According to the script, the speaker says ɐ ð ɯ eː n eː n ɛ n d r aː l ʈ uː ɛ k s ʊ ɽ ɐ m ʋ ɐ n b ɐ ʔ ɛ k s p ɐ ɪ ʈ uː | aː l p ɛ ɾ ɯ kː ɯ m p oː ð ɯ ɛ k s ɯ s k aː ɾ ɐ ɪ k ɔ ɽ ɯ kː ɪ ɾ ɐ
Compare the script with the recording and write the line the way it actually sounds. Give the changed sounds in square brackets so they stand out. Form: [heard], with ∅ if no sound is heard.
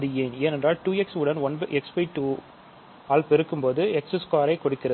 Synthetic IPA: ɐ ð ɯ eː n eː n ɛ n d r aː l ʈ uː ɛ k s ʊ ɽ ɐ [n] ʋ ɐ n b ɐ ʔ ɛ k s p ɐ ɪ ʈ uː | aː l p ɛ ɾ ɯ kː ɯ m p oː ð ɯ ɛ k s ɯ s k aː ɾ ɐ ɪ k ɔ ɽ ɯ kː ɪ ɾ ɐ